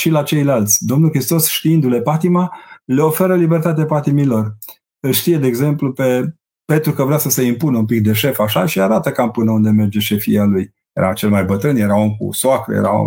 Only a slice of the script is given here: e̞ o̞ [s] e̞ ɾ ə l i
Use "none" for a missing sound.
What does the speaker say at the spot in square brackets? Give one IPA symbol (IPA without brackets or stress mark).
f